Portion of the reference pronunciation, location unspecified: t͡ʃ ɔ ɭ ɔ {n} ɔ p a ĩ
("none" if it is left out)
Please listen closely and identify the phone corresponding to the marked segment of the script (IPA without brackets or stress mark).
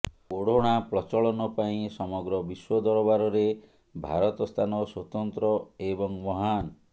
n